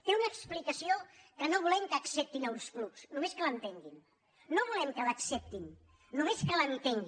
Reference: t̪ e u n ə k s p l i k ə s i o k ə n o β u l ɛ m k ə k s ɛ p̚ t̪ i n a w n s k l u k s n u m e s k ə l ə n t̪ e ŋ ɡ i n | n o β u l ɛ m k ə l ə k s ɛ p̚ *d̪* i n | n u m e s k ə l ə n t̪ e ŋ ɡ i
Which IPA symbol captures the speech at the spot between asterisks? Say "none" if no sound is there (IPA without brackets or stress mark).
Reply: t̪